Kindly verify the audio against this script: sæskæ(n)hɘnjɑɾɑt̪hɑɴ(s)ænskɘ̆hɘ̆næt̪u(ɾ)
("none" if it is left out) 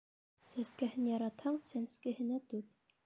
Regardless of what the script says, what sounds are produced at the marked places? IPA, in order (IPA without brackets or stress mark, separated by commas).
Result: none, s, ɾ